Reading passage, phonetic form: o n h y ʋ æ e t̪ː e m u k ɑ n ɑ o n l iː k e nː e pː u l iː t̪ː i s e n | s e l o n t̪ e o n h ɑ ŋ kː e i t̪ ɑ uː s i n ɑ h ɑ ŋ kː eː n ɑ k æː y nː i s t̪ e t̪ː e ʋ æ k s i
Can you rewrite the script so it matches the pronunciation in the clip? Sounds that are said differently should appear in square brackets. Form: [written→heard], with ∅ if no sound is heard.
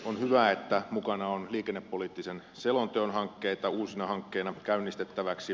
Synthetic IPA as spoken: o n h y ʋ æ e t̪ː [e→æ] m u k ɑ n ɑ o n l iː k e nː e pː [u→o] l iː t̪ː i s e n | s e l o n t̪ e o n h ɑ ŋ kː e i t̪ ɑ uː s i n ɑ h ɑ ŋ kː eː n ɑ k [æː→æ] y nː i s t̪ e t̪ː [e→æ] ʋ æ k s i